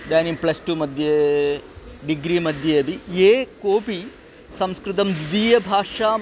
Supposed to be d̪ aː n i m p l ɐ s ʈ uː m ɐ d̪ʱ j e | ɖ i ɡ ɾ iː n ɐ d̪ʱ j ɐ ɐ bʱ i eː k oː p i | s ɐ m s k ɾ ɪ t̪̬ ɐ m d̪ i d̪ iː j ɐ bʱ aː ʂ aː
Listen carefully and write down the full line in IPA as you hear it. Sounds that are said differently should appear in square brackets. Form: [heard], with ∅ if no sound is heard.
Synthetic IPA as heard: d̪ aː n i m p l ɐ s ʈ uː m ɐ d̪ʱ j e | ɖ i ɡ ɾ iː [m] ɐ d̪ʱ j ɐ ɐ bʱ i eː k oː p i | s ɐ m s k ɾ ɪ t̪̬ ɐ m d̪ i d̪ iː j ɐ bʱ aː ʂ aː